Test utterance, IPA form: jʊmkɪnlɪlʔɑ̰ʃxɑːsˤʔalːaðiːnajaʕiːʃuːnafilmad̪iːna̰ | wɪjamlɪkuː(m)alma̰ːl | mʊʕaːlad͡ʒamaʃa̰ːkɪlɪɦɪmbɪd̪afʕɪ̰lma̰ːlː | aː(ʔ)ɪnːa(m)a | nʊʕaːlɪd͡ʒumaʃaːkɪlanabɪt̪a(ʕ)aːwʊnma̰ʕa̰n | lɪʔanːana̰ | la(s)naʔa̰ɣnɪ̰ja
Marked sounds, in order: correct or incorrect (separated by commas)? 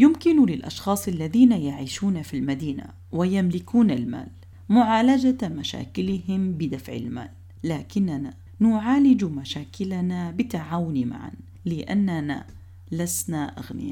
incorrect, incorrect, incorrect, correct, correct